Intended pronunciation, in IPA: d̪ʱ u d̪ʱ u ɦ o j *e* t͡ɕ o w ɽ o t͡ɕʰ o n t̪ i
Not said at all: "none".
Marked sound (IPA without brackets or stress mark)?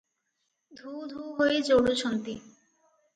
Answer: e